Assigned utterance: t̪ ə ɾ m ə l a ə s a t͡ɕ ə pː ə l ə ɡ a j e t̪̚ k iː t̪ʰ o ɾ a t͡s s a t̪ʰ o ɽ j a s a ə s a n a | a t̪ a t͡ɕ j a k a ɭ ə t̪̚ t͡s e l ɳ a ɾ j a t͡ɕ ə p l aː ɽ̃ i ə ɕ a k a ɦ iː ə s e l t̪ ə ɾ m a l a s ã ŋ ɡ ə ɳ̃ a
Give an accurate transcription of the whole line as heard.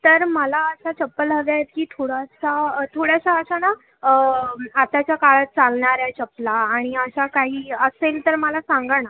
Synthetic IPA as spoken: t̪ ə ɾ m ə l a ə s a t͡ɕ ə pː ə l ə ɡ a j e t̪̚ k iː t̪ʰ o ɽ a s a t̪ʰ o ɽ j a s a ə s a n a | a t̪ a t͡ɕ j a k a ɭ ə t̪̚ t͡s a l ɳ a ɾ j a t͡ɕ ə p l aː ɽ̃ i ə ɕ a k a ɦ iː ə s e l t̪ ə ɾ m ə l a s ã ŋ ɡ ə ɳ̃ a